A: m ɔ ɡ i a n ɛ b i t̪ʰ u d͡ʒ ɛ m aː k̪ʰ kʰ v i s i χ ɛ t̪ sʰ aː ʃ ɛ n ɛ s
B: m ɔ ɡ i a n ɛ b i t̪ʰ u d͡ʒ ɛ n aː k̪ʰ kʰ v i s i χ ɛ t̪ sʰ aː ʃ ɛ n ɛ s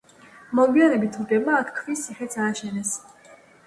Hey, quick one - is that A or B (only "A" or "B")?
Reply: A